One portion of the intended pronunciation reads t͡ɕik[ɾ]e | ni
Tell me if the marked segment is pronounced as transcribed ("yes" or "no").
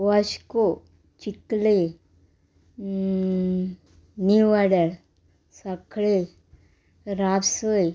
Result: no